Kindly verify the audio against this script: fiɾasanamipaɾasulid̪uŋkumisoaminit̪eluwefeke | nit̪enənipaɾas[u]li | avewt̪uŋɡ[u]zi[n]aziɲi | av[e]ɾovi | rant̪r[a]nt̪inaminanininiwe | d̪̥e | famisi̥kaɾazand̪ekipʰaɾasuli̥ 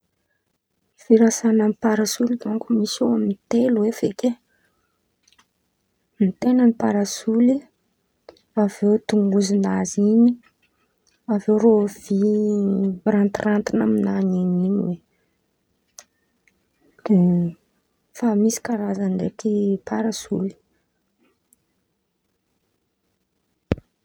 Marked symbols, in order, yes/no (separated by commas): yes, yes, yes, yes, yes